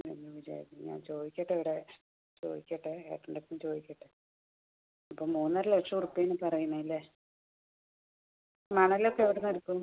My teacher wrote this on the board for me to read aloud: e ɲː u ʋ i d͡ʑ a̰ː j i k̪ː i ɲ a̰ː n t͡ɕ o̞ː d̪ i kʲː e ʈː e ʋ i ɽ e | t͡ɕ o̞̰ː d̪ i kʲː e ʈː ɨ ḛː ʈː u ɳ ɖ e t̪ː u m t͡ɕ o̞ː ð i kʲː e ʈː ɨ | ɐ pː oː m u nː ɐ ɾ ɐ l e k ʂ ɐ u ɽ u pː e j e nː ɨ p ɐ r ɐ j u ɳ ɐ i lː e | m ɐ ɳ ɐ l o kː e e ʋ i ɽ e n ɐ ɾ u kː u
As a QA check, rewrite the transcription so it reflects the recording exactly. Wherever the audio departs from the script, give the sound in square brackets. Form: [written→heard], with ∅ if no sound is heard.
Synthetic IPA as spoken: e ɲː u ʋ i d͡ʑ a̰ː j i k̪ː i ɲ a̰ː n t͡ɕ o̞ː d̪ i kʲː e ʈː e ʋ i ɽ e | t͡ɕ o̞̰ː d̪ i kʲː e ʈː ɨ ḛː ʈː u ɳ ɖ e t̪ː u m t͡ɕ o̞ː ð i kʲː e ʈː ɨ | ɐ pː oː m [u→uː] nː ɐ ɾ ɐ l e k ʂ ɐ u [ɽ→r] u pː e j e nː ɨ p ɐ r ɐ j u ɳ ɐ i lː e | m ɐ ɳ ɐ l o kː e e ʋ i ɽ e n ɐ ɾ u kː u

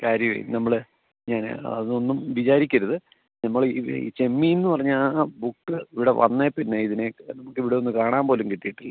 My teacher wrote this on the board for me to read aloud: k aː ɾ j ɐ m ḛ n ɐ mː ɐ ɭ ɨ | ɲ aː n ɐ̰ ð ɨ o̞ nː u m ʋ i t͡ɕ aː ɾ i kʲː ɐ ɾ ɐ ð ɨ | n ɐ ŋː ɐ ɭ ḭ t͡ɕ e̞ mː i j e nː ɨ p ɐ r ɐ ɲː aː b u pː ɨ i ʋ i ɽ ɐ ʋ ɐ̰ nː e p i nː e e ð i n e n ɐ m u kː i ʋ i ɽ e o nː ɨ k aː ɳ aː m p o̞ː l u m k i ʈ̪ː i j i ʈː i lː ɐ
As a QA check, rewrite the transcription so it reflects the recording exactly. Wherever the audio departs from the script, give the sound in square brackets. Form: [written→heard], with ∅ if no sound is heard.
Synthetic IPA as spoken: k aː ɾ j ɐ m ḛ n ɐ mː ɐ ɭ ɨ | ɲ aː n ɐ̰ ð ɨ o̞ nː u m ʋ i t͡ɕ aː ɾ i kʲː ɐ ɾ ɐ ð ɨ | n ɐ [ŋː→mː] ɐ ɭ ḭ t͡ɕ e̞ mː i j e nː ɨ p ɐ r ɐ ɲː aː b u [pː→kː] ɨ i ʋ i ɽ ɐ ʋ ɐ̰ nː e p i nː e [e→i] ð i n e n ɐ m u kː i ʋ i ɽ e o nː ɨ k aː ɳ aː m p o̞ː l u m k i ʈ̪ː i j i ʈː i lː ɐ

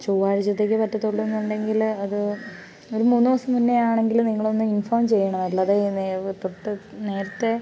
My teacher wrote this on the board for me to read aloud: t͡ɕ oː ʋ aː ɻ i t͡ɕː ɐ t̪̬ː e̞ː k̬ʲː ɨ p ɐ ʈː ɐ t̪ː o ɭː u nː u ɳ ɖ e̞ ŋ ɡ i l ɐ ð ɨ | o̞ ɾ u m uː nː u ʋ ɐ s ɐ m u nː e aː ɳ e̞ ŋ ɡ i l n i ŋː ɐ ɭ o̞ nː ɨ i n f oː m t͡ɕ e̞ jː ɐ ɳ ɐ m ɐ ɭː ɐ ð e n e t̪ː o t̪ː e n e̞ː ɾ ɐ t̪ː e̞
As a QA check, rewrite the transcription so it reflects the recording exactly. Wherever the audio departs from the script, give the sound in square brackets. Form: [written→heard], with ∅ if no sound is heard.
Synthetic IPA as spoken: t͡ɕ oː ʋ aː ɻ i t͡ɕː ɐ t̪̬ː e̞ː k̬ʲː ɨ p ɐ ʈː ɐ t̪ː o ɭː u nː u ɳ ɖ e̞ ŋ ɡ i l ɐ ð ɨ | o̞ ɾ u m uː nː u ʋ ɐ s ɐ m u nː e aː ɳ e̞ ŋ ɡ i l n i ŋː ɐ ɭ o̞ nː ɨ i n f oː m t͡ɕ e̞ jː ɐ ɳ ɐ m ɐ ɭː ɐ ð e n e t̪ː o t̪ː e n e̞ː ɾ ɐ t̪ː e̞

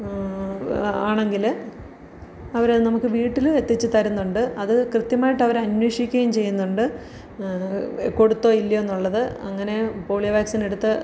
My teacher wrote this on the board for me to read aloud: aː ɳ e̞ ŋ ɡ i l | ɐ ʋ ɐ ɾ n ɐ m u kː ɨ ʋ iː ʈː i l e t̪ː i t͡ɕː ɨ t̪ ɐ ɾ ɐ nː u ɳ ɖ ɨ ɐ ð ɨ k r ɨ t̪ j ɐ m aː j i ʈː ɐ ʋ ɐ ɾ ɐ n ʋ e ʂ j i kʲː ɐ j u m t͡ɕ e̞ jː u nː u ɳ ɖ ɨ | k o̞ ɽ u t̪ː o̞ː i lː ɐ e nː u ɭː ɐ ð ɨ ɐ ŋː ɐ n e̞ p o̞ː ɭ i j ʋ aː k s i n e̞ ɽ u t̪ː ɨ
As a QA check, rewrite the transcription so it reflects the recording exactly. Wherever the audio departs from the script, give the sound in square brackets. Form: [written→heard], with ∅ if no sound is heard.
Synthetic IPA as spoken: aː ɳ e̞ ŋ ɡ i l | ɐ ʋ ɐ ɾ n ɐ m u kː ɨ ʋ iː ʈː i l e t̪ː i t͡ɕː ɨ t̪ ɐ ɾ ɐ nː u ɳ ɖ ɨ ɐ ð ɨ k r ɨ t̪ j ɐ m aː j i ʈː ɐ ʋ ɐ ɾ ɐ n [ʋ→w] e ʂ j i kʲː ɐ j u m t͡ɕ e̞ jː u nː u ɳ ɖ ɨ | k o̞ ɽ u t̪ː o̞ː i lː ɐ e nː u ɭː ɐ ð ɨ ɐ ŋː ɐ n e̞ p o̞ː ɭ i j ʋ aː k s i n e̞ ɽ u t̪ː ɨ

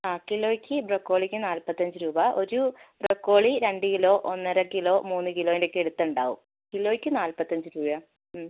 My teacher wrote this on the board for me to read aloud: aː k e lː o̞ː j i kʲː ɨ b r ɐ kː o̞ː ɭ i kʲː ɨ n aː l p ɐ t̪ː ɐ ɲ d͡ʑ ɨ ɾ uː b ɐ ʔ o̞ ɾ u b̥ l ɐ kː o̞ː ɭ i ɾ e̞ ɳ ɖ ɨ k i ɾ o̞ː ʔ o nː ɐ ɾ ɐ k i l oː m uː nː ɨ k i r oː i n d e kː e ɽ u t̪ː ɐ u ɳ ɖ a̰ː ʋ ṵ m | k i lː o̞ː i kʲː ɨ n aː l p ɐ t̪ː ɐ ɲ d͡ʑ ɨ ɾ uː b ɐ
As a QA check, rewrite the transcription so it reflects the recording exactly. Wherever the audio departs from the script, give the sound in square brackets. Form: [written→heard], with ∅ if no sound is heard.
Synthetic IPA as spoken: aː k [e→i] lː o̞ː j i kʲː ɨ b r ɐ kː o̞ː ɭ i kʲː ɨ n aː l p ɐ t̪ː ɐ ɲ d͡ʑ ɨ ɾ uː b ɐ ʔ o̞ ɾ u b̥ [l→r] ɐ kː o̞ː ɭ i ɾ e̞ ɳ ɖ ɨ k i [ɾ→l] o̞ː ʔ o nː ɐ ɾ ɐ k i l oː m uː nː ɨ k i [r→l] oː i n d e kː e ɽ u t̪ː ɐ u ɳ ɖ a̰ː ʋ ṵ m | k i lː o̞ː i kʲː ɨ n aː l p ɐ t̪ː ɐ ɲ d͡ʑ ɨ ɾ uː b ɐ

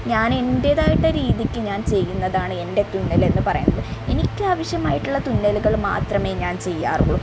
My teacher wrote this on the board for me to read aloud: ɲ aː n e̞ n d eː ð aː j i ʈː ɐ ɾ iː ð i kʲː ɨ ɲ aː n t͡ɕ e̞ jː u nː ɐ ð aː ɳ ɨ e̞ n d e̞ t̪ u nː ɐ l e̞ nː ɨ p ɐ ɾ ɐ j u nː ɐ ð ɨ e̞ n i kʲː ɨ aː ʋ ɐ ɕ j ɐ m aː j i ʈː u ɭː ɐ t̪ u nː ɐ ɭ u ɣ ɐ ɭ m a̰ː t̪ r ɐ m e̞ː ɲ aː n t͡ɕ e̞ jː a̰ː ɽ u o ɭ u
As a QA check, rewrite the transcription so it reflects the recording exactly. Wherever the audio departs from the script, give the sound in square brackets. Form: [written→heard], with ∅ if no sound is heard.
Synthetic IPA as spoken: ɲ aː n e̞ n d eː ð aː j i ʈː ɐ ɾ iː ð i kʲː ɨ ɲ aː n t͡ɕ e̞ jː u nː ɐ ð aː ɳ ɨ e̞ n d e̞ t̪ u nː ɐ l e̞ nː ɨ p ɐ [ɾ→r] ɐ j u nː ɐ ð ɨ e̞ n i kʲː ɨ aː ʋ ɐ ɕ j ɐ m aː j i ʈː u ɭː ɐ t̪ u nː ɐ [ɭ→l] u ɣ ɐ ɭ m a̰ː t̪ r ɐ m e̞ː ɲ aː n t͡ɕ e̞ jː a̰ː [ɽ→r] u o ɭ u

